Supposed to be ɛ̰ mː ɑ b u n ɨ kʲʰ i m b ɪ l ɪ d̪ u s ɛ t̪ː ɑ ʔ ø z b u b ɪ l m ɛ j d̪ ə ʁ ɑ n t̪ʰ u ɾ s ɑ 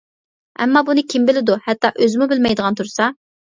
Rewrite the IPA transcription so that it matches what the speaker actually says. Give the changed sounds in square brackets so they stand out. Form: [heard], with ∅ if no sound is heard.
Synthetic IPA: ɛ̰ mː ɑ b u n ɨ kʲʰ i m b ɪ l ɪ d̪ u [h] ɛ t̪ː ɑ ʔ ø z [m] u b ɪ l m ɛ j d̪ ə ʁ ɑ n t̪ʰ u ɾ s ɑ